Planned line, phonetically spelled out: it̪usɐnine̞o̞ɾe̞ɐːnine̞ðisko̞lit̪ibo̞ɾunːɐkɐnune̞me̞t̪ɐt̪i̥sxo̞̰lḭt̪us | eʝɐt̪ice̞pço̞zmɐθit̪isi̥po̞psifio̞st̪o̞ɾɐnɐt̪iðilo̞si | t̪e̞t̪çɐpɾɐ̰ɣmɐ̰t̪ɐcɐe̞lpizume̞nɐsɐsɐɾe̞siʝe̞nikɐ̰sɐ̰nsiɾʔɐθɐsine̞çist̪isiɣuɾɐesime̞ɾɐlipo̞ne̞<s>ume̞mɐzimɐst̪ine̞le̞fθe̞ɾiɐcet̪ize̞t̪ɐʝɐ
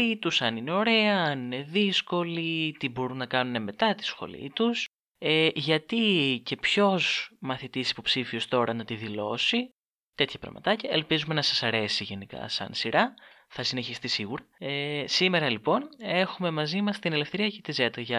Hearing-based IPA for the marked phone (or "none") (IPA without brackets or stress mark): x